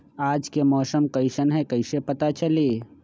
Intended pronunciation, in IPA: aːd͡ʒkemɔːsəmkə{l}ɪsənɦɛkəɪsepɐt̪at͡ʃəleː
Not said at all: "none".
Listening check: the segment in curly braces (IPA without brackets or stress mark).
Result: none